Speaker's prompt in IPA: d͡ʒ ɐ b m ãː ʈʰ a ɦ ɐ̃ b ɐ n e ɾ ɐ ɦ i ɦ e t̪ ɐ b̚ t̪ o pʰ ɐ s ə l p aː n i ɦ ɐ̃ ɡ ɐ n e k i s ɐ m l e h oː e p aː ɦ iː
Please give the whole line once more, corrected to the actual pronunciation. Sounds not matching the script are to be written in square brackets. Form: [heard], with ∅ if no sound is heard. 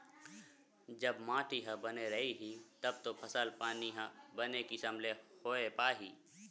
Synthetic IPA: d͡ʒ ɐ b m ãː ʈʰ [i] ɦ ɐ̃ b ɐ n e ɾ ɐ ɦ i ɦ [i] t̪ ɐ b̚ t̪ o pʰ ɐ s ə l p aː n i ɦ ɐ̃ [b] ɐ n e k i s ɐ m l e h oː e p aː ɦ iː